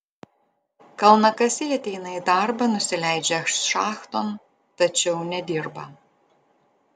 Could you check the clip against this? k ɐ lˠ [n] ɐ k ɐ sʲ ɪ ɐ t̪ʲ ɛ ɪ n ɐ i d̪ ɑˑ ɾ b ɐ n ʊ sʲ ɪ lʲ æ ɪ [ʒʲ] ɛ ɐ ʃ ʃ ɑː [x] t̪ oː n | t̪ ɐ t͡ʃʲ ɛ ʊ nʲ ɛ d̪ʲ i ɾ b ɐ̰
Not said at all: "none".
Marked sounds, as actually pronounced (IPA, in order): n, d͡ʒʲ, x

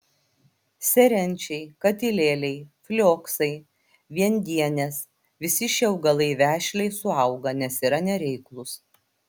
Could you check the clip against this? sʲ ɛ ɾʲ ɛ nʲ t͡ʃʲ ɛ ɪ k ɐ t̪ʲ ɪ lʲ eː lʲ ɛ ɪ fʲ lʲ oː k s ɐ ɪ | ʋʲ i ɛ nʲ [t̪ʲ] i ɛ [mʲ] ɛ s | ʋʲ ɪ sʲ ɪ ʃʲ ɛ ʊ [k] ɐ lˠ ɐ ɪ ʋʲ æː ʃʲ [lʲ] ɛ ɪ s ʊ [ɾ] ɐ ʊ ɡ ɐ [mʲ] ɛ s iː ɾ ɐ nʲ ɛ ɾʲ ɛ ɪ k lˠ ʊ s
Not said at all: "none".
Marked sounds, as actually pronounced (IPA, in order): d̪ʲ, nʲ, ɡ, lʲ, none, nʲ

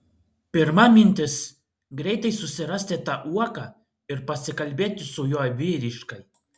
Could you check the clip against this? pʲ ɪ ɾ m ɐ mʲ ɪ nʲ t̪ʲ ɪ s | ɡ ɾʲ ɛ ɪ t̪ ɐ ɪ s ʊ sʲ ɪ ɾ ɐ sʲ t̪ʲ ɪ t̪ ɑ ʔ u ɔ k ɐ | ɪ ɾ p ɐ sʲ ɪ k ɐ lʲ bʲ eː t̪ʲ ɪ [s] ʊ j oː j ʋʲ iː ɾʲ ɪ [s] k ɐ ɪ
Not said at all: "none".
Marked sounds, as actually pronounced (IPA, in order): s, ʃ

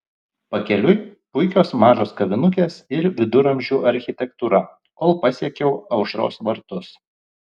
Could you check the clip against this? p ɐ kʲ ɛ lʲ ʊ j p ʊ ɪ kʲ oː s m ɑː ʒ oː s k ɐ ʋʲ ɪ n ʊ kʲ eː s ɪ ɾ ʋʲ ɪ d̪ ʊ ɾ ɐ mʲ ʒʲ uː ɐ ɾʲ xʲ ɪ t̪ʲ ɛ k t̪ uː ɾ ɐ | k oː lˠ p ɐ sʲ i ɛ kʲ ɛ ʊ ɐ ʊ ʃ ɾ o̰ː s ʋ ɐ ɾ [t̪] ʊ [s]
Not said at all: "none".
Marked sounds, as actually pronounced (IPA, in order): t̪, s

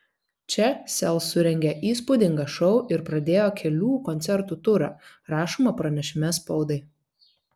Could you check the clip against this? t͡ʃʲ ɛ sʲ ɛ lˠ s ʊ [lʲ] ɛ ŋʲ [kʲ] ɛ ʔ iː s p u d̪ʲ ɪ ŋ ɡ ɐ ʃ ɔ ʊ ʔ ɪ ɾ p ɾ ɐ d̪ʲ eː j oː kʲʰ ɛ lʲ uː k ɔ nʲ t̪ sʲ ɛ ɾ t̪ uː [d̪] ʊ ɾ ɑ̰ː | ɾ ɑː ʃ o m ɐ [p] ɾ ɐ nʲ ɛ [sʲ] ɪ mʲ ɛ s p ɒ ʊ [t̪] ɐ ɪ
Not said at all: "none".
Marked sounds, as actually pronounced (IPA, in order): ɾʲ, ɡʲ, t̪, p, ʃʲ, d̪

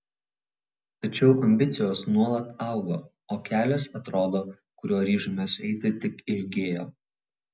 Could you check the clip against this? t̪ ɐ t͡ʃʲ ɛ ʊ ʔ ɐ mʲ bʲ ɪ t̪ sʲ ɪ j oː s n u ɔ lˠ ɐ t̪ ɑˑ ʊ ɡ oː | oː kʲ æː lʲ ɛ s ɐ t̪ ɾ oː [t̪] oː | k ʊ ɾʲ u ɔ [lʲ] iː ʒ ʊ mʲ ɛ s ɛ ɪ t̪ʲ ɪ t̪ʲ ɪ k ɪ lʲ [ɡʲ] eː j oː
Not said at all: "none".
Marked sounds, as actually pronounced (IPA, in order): d̪, ɾʲ, ɡʲ

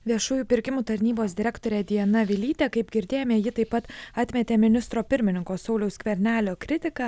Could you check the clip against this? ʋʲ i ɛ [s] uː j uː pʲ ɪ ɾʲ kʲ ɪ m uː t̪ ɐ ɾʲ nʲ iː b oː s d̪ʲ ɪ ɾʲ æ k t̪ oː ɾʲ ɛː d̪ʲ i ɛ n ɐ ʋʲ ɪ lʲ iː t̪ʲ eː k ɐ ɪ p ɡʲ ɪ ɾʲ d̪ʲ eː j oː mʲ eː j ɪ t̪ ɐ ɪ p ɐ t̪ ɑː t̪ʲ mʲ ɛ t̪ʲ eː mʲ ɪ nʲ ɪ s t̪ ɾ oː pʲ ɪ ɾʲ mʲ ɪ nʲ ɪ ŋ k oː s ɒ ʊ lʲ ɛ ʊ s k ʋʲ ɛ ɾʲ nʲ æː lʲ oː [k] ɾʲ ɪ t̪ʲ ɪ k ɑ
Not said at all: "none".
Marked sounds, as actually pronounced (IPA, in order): ʃ, k

